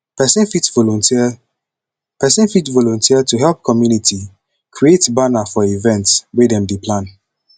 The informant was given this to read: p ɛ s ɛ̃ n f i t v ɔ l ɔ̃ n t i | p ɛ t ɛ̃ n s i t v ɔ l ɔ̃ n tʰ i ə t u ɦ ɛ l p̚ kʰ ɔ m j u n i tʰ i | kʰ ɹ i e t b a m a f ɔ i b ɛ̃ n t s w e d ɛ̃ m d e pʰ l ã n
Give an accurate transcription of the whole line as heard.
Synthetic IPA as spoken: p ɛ s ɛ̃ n f i t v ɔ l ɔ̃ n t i | p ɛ s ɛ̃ n f i t v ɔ l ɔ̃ n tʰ i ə t u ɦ ɛ l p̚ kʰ ɔ m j u n i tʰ i | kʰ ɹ i e t b a n a f ɔ i v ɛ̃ n t s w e d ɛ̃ m d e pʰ l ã n